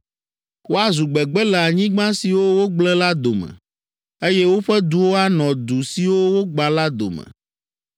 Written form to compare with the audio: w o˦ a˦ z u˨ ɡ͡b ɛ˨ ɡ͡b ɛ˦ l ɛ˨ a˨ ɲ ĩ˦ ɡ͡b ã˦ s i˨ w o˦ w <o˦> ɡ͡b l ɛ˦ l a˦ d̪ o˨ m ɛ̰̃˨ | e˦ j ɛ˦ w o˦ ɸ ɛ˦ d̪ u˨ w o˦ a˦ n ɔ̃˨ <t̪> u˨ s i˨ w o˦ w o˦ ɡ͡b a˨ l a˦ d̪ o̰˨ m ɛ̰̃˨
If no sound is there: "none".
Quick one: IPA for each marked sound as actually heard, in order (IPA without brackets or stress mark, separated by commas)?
o˦, d̪